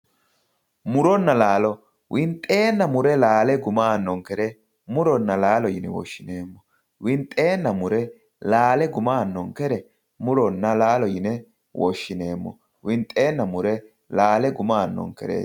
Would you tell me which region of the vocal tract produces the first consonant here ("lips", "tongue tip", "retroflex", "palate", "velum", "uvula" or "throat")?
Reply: lips